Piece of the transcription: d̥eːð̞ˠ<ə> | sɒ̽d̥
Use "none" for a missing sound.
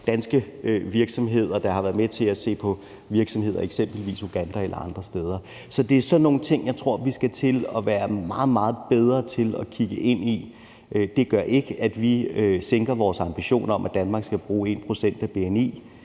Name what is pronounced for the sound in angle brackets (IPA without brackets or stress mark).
ɐ